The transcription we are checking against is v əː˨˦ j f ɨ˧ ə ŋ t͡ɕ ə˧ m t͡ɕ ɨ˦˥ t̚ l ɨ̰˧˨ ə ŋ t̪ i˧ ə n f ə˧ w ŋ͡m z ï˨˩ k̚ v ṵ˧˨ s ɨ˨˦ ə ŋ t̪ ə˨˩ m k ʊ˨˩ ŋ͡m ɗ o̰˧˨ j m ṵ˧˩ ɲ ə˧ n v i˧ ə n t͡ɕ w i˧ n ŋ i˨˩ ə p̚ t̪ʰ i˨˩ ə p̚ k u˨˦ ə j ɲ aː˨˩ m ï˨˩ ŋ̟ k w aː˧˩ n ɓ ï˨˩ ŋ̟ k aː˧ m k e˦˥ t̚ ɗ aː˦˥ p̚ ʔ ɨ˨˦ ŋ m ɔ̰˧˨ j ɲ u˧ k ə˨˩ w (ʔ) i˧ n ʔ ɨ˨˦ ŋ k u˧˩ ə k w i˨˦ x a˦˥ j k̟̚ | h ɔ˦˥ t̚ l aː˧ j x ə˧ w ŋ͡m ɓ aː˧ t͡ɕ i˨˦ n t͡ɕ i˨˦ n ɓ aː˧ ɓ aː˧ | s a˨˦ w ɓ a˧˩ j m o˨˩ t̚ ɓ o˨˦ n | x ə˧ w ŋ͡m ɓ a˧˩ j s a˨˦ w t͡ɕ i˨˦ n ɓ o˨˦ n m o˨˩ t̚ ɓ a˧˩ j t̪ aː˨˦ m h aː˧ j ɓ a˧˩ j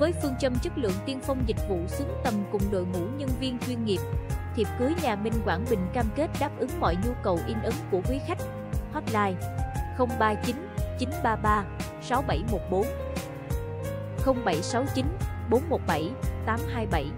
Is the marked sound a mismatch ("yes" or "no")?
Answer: no